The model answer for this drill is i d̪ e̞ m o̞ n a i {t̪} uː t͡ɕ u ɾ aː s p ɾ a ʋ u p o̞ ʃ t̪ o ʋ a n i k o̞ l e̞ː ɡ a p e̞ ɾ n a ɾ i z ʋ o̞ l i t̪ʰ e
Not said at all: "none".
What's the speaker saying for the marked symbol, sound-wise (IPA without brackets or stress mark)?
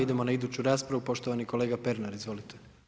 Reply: d̪